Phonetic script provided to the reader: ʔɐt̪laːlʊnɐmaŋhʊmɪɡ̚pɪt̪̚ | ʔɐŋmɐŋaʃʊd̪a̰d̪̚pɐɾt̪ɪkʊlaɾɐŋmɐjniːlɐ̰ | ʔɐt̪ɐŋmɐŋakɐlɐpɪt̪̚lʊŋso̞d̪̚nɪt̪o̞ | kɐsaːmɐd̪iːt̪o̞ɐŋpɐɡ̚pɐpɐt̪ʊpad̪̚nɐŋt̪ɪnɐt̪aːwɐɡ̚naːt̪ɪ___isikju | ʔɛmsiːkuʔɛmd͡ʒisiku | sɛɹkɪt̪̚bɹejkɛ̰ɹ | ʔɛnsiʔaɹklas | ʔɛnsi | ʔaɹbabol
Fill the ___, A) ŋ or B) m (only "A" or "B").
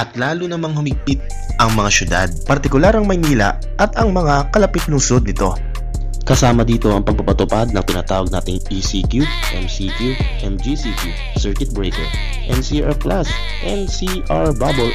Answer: A